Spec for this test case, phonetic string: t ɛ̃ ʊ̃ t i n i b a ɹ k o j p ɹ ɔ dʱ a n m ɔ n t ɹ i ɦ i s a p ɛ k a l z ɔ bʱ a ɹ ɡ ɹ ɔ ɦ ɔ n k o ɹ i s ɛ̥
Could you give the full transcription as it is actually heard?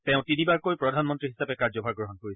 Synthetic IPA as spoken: t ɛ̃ ʊ̃ t i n i b a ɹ k o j p ɹ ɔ dʱ a n m ɔ n t ɹ i ɦ i s a p ɛ k a ɹ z ɔ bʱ a ɹ ɡ ɹ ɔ ɦ ɔ n k o ɹ i s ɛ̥